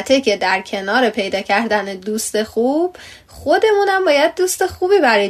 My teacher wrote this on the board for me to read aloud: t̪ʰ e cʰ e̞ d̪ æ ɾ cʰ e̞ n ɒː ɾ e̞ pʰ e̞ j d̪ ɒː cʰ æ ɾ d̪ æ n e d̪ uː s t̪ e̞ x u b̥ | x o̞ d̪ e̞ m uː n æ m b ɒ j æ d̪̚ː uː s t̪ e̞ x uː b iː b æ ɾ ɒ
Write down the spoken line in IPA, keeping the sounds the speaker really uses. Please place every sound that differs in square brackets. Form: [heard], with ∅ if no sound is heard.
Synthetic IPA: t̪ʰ e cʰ e̞ d̪ æ ɾ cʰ e̞ n ɒː ɾ e̞ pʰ e̞ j d̪ ɒː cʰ æ ɾ d̪ æ n e d̪ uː s t̪ e̞ x u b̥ | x o̞ d̪ e̞ m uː n æ m b [ɒː] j æ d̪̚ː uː s t̪ e̞ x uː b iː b æ ɾ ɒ